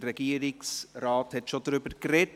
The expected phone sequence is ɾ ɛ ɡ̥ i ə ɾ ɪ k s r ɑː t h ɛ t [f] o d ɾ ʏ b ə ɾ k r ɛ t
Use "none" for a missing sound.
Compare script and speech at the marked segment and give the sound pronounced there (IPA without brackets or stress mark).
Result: ʃ